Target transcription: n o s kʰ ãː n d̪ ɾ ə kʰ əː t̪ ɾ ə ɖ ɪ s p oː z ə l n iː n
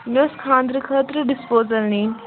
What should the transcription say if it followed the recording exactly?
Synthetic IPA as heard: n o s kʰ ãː n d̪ ɾ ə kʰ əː t̪ ɾ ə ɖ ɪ s p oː z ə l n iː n